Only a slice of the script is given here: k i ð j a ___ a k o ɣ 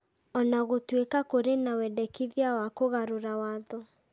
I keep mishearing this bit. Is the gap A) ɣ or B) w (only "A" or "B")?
B